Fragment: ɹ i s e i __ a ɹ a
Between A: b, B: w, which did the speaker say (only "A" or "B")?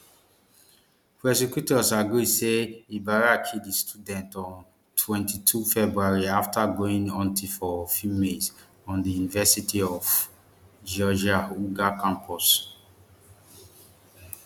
A